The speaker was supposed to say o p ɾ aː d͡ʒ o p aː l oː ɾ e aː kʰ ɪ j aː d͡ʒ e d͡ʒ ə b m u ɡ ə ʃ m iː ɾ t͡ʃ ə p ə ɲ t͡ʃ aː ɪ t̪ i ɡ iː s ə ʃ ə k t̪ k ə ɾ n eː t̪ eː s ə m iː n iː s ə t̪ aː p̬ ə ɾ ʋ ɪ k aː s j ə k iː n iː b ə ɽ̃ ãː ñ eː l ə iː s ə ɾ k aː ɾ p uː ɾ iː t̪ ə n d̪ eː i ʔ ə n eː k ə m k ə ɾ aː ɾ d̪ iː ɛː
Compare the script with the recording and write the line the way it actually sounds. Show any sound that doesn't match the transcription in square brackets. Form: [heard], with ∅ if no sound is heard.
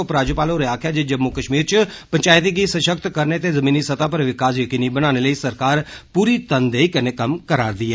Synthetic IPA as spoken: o p ɾ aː d͡ʒ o p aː l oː ɾ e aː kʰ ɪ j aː d͡ʒ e d͡ʒ ə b m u [k] ə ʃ m iː ɾ t͡ʃ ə p ə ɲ t͡ʃ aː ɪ t̪ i ɡ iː s ə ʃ ə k t̪ k ə ɾ n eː t̪ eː [z] ə m iː n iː s ə t̪ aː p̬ ə ɾ ʋ ɪ k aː s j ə k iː n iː b ə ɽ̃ [aː] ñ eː l ə iː s ə ɾ k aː ɾ p uː ɾ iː t̪ ə n d̪ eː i [k] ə n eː k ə m k ə ɾ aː ɾ d̪ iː ɛː